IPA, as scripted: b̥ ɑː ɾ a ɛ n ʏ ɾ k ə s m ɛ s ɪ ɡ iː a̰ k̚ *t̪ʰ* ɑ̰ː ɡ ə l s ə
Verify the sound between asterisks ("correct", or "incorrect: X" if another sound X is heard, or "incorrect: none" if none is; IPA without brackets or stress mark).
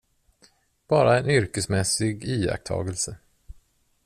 correct